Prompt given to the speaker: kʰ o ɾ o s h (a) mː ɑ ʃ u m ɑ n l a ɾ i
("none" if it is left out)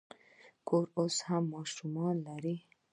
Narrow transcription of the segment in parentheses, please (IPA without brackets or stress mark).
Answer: a